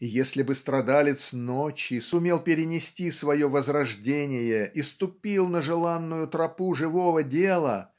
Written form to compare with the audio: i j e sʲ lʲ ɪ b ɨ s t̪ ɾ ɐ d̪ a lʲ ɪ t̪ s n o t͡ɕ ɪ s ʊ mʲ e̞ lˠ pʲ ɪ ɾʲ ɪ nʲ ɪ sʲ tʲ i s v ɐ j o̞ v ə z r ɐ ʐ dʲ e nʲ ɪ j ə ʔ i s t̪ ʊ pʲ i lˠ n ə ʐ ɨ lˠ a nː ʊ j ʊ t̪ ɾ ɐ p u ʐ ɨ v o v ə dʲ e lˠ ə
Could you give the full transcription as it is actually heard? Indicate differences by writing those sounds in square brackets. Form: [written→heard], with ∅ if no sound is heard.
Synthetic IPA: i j e sʲ lʲ ɪ b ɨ s t̪ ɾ ɐ d̪ a lʲ ɪ t̪ s n o t͡ɕ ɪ s ʊ mʲ e̞ lˠ pʲ ɪ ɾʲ ɪ nʲ ɪ sʲ tʲ i s v ɐ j o̞ v ə z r ɐ ʐ dʲ e nʲ ɪ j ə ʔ i s t̪ ʊ pʲ i lˠ n ə ʐ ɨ lˠ a nː ʊ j ʊ t̪ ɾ ɐ p u ʐ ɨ v o v ə dʲ e lˠ ə